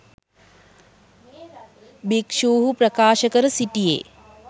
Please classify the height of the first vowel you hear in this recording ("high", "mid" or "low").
high